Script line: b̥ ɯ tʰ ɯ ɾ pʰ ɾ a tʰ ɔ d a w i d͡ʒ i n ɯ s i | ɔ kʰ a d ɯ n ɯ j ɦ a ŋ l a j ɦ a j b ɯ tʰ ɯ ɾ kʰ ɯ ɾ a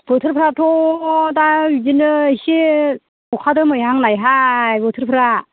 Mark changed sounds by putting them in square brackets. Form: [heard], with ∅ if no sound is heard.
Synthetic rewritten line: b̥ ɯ tʰ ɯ ɾ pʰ ɾ a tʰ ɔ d a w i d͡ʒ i n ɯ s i | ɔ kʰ a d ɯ [m] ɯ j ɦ a ŋ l a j ɦ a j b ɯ tʰ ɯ ɾ [pʰ] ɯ ɾ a